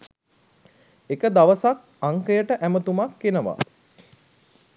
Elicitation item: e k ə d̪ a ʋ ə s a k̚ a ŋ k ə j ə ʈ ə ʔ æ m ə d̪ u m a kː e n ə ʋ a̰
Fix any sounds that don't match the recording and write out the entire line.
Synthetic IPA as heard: e k ə d̪ a ʋ ə s a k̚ a ŋ k ə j ə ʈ ə ʔ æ m ə t̪ u m a kː e n ə ʋ a̰